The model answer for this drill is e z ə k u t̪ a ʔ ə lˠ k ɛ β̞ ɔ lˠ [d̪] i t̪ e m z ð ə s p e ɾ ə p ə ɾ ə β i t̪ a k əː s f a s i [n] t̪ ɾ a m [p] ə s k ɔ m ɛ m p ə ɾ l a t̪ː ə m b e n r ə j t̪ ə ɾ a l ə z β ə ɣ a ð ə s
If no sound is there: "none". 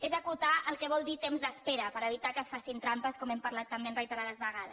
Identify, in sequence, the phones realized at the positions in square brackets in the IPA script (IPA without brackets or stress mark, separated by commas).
d̪, n, p